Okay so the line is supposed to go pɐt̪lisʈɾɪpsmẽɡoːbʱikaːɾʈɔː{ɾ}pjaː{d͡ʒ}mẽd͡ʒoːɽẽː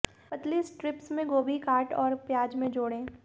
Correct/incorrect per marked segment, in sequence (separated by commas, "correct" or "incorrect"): correct, correct